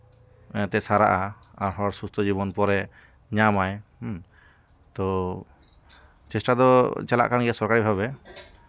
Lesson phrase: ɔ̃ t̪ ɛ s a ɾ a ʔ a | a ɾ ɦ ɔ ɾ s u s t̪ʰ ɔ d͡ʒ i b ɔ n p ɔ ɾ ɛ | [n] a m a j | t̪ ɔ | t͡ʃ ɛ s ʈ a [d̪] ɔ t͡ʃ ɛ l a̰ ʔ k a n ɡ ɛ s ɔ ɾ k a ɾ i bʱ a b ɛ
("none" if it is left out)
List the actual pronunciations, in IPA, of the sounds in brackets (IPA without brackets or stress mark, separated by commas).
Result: ɲ, d̪